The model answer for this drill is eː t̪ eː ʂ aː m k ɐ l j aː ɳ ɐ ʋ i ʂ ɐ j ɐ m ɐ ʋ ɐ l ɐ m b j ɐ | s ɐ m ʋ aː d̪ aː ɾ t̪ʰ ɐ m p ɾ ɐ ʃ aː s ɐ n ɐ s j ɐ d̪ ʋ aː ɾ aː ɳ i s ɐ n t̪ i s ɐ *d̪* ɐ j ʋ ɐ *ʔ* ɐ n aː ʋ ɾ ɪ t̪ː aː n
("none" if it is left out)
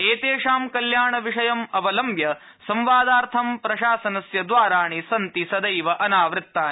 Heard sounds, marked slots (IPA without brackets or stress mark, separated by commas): d̪, ʔ